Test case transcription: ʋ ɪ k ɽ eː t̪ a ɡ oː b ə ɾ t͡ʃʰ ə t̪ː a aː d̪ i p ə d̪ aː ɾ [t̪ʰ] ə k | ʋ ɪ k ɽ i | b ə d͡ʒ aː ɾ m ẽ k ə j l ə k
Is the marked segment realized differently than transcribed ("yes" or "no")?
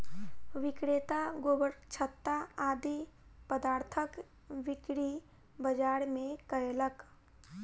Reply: no